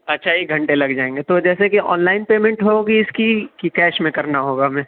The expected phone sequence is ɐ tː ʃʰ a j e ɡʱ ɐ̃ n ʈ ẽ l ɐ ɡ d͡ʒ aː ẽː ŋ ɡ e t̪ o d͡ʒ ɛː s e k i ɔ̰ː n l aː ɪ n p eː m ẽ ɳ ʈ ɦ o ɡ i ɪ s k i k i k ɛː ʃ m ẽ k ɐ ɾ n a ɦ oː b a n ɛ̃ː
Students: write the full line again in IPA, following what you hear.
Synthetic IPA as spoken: ɐ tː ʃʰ a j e ɡʱ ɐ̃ ɳ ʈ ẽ l ɐ ɡ d͡ʒ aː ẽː ŋ ɡ e t̪ o d͡ʒ ɛː s e k i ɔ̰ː n l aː ɪ n p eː m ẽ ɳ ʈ ɦ o ɡ i ɪ s k i k i k ɛː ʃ m ẽ k ɐ ɾ n a ɦ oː ɡ a m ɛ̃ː